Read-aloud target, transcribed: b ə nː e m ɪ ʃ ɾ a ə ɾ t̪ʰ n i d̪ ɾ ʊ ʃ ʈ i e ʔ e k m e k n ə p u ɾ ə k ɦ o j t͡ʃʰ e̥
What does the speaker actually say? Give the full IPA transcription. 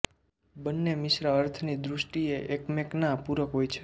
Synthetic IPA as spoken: b ə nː e m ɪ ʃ ɾ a ə ɾ t̪ʰ n i d̪ ɾ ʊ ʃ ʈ i e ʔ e k m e k n a p u ɾ ə k ɦ o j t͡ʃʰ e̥